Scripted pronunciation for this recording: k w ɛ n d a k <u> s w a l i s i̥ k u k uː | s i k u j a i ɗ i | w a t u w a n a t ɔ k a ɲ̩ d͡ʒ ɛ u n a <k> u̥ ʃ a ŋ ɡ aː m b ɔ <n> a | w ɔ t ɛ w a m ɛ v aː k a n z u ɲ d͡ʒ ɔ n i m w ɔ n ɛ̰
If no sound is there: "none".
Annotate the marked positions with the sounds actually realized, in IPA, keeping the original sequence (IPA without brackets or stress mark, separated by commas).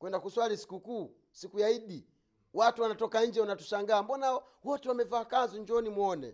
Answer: u, t, n